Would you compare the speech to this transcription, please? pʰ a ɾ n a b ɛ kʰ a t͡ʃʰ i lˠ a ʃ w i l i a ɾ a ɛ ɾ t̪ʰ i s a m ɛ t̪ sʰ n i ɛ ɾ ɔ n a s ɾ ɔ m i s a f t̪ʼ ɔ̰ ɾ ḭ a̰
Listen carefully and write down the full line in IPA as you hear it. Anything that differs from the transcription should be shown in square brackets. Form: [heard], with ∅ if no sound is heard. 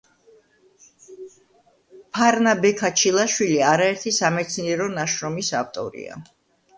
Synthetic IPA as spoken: pʰ a ɾ n a b ɛ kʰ a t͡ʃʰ i lˠ a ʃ w i l i a ɾ a ɛ ɾ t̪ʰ i s a m ɛ t̪ sʰ n i ɛ ɾ ɔ n a [ʃ] ɾ ɔ m i s a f t̪ʼ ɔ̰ ɾ ḭ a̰